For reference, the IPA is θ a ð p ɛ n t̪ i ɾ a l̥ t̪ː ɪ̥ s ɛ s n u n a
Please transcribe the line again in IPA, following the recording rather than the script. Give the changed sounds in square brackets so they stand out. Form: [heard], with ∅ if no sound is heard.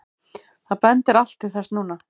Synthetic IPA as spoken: θ a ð p ɛ n t̪ [ɪ] ɾ a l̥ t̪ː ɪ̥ [θ] ɛ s n [uː] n a